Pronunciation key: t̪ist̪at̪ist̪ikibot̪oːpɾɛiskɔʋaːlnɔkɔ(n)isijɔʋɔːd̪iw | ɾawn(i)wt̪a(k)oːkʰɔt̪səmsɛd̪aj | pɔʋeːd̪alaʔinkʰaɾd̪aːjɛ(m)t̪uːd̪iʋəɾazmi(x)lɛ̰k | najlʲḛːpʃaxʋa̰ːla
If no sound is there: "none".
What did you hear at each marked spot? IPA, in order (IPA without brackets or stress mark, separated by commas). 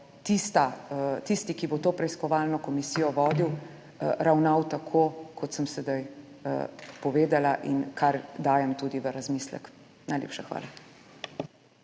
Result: m, a, kʰ, m, s